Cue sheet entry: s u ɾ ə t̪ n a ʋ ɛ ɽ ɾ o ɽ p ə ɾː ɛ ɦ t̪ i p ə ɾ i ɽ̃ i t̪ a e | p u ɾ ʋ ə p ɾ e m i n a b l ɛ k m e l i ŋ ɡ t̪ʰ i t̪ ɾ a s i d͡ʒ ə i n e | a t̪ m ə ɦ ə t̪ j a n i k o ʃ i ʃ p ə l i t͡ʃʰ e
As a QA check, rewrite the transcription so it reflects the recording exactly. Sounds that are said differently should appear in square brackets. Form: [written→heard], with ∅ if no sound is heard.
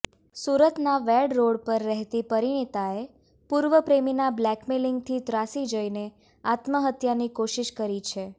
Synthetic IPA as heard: s u ɾ ə t̪ n a ʋ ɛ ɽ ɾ o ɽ p ə ɾː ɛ ɦ t̪ i p ə ɾ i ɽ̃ i t̪ a e | p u ɾ ʋ ə p ɾ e m i n a b l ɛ k m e l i ŋ ɡ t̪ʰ i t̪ ɾ a s i d͡ʒ ə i n e | a t̪ m ə ɦ ə t̪ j a n i k o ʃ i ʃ [p→k] ə [l→ɾ] i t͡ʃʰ e